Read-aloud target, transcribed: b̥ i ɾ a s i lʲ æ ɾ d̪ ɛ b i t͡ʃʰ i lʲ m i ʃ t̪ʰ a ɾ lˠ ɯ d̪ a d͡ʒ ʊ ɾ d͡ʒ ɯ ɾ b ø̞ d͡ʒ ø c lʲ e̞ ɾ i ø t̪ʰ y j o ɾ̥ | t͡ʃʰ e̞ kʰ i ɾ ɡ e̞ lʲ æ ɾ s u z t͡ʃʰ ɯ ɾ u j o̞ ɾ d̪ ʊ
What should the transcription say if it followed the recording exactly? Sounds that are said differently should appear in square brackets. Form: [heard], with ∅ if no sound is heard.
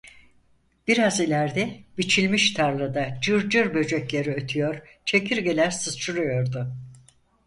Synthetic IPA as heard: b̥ i ɾ a [z] i lʲ æ ɾ d̪ ɛ b i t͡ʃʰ i lʲ m i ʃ t̪ʰ a ɾ lˠ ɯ d̪ a d͡ʒ [ɯ] ɾ d͡ʒ ɯ ɾ b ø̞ d͡ʒ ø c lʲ e̞ ɾ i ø t̪ʰ y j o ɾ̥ | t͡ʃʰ e̞ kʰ i ɾ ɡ e̞ lʲ æ ɾ s [ɯ] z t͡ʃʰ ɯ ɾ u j o̞ ɾ d̪ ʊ